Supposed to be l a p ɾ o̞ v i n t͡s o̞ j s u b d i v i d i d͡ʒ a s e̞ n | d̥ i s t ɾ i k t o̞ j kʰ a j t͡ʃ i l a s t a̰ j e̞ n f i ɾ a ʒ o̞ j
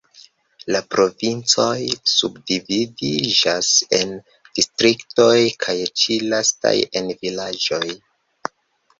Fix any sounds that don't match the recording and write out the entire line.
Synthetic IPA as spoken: l a p ɾ o̞ v i n t͡s o̞ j s u b d i v i d i d͡ʒ a s e̞ n | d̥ i s t ɾ i k t o̞ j kʰ a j t͡ʃ i l a s t a̰ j e̞ n v i l a d͡ʒ o̞ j